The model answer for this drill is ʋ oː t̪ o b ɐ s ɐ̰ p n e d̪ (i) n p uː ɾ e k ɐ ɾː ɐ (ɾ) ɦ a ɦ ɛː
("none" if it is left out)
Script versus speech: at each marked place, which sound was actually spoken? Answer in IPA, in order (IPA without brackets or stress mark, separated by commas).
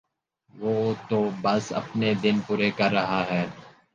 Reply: ɪ, none